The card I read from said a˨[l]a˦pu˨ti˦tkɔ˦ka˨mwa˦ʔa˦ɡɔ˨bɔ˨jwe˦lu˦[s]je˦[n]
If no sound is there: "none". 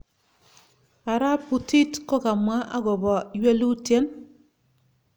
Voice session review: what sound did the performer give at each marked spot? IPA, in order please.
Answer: ɾ, t, n

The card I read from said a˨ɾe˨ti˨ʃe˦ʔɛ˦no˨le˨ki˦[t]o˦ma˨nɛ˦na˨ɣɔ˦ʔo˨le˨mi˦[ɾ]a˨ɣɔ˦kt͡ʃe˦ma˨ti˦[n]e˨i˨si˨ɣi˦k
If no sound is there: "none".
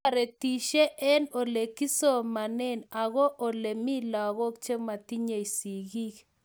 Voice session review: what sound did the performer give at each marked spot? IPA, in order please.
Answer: s, l, ɲ

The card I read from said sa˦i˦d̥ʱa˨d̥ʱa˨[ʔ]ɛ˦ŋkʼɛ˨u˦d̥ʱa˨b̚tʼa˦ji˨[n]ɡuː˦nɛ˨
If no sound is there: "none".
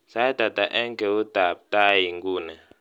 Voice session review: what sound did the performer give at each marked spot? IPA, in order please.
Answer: ʔ, ŋ

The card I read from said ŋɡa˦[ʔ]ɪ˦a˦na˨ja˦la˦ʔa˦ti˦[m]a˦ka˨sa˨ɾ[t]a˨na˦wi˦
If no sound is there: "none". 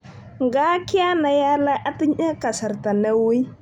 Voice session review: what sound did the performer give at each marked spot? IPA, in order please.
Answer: k, ɲ, t

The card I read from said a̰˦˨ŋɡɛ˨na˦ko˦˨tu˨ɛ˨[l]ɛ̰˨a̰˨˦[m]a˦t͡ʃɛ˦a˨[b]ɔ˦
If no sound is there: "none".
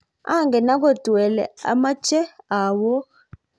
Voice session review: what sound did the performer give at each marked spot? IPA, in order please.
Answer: l, m, w

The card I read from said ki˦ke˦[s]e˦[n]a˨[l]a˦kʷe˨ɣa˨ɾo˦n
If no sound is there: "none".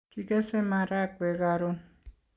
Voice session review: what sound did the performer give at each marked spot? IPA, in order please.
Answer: s, m, ɾ

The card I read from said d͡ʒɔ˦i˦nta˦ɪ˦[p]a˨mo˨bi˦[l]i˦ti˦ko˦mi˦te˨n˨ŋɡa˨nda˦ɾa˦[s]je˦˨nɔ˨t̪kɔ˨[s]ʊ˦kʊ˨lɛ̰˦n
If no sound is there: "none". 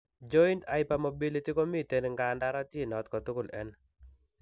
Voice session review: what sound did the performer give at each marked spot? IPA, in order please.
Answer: p, l, t, t

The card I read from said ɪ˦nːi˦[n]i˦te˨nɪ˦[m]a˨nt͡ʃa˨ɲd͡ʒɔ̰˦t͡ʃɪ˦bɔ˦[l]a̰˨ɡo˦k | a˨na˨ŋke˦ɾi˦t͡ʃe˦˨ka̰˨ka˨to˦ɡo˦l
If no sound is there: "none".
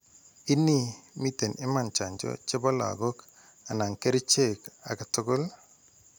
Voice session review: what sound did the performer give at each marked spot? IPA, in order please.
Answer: m, m, l

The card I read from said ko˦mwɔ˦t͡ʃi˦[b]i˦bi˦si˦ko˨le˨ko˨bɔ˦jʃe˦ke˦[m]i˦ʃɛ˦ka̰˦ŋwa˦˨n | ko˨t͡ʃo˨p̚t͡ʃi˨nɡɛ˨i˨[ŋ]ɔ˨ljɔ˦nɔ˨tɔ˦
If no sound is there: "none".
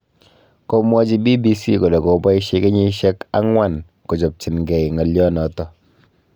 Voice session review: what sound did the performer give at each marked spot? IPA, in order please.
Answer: b, ɲ, ŋ

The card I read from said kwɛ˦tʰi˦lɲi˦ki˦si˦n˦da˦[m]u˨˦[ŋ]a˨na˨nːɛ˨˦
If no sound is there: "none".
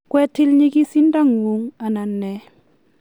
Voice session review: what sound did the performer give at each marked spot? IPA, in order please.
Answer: ŋ, ŋ

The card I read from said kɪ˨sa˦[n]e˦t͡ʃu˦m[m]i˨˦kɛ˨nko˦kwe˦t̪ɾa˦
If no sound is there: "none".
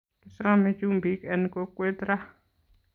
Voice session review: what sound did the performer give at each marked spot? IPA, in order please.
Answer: m, b

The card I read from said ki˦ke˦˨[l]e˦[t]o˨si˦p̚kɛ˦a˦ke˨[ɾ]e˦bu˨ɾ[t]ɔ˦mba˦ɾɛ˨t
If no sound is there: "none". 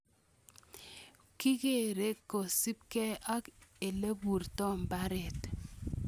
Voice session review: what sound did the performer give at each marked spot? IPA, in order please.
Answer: ɾ, k, l, t

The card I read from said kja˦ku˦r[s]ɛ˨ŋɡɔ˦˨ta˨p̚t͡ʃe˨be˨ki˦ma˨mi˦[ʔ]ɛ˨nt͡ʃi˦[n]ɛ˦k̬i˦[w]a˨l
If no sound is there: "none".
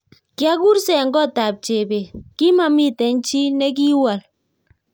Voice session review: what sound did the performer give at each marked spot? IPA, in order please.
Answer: s, t, n, w

